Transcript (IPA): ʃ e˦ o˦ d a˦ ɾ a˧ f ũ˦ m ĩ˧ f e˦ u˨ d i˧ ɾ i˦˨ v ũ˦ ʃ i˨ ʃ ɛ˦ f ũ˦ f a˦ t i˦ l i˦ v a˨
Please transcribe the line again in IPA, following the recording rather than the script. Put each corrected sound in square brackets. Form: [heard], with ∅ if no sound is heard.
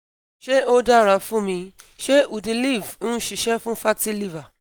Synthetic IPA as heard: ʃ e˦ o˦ d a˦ ɾ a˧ f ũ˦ m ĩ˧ [ʃ] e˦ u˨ d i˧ [l] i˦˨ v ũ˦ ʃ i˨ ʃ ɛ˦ f ũ˦ f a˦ t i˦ l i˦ v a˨